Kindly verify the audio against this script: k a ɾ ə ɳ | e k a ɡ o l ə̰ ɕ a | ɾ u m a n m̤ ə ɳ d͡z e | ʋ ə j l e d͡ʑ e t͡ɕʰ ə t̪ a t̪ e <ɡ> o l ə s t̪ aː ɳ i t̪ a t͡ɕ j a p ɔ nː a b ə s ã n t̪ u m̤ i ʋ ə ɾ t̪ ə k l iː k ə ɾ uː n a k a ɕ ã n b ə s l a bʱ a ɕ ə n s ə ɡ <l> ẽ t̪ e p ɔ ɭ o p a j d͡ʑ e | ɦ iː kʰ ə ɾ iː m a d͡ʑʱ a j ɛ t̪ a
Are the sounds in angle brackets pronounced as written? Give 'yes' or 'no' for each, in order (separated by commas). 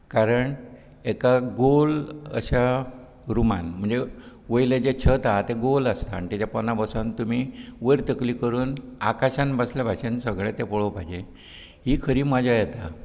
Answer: yes, no